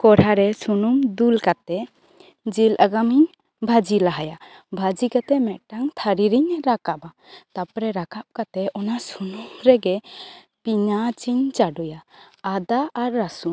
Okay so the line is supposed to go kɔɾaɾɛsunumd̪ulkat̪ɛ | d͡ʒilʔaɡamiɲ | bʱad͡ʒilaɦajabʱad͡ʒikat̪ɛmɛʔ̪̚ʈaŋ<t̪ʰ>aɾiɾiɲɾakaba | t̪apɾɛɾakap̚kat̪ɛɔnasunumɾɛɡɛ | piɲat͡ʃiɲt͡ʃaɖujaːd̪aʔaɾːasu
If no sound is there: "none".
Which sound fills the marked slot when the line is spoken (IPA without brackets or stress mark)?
t̪ʰ